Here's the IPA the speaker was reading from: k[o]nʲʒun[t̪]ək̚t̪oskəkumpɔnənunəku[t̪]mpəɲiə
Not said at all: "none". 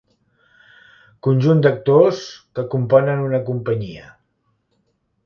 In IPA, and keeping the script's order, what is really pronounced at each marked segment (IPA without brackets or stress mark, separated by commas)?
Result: u, d̪, none